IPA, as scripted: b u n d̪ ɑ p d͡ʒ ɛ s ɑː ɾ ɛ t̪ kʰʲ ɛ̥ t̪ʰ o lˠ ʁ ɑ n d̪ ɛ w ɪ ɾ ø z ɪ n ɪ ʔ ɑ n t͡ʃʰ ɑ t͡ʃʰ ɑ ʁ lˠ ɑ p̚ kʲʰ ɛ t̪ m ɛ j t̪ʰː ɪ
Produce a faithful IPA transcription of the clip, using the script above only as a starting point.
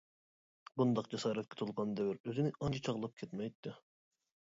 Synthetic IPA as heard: b u n d̪ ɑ q d͡ʒ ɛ s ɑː ɾ ɛ t̪ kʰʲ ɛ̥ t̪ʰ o lˠ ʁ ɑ n d̪ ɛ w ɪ ɾ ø z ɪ n ɪ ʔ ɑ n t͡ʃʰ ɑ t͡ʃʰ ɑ ʁ lˠ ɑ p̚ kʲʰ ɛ t̪ m ɛ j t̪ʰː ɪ